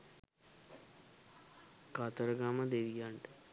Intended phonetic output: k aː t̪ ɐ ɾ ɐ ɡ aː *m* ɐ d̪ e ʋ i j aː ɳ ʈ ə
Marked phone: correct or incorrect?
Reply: correct